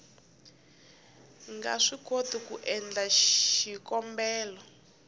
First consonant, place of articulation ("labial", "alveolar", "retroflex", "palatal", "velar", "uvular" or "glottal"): velar